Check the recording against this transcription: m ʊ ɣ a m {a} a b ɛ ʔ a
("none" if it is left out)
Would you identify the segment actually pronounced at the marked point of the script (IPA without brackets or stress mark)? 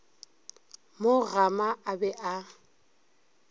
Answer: a